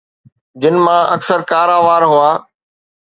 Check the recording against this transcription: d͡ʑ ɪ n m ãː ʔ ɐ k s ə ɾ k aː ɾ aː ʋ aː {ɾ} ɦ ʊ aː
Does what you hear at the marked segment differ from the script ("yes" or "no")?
no